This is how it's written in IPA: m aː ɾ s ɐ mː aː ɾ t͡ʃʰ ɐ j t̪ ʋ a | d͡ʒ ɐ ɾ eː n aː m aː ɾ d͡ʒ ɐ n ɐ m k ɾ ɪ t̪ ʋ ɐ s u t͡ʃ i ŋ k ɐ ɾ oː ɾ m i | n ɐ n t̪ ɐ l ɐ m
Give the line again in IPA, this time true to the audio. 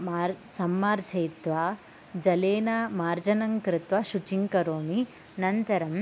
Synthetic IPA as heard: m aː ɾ s ɐ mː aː ɾ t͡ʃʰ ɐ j t̪ ʋ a | d͡ʒ ɐ l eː n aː m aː ɾ d͡ʒ ɐ n ɐ ŋ k ɾ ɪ t̪ ʋ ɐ ʃ u t͡ʃ i ŋ k ɐ ɾ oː m i | n ɐ n t̪ ɐ ɾ ɐ m